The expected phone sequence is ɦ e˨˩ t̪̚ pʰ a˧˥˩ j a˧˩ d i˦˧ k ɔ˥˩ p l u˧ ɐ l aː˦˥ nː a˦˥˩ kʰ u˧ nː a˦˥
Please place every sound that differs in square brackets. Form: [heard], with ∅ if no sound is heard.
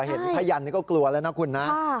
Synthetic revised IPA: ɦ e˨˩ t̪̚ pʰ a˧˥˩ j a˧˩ [n] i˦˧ k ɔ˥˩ [k] l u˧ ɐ l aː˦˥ [n] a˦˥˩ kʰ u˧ nː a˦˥